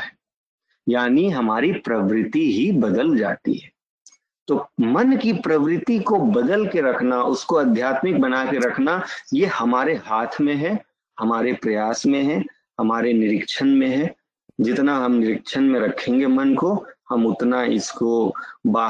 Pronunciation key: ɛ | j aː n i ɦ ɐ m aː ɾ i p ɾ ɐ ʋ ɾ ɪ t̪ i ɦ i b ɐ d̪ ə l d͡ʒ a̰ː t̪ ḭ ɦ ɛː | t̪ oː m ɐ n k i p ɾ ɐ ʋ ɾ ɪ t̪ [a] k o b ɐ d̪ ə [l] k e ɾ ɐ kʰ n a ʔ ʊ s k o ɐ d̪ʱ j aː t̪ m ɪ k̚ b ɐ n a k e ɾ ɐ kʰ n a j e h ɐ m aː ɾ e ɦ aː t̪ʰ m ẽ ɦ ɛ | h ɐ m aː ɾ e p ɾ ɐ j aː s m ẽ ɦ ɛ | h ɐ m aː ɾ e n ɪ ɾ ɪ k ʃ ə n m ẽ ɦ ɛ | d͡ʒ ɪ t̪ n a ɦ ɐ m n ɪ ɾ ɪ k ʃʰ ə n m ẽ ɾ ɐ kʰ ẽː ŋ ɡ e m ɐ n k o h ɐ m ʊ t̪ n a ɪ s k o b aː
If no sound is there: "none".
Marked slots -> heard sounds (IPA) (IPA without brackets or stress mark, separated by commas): i, l